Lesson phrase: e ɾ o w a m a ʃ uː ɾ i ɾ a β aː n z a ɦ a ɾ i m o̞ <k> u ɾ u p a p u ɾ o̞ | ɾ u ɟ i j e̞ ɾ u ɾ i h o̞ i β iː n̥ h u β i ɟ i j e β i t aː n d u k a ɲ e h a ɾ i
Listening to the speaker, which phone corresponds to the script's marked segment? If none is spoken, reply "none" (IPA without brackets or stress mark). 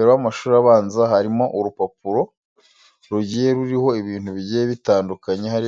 ʔ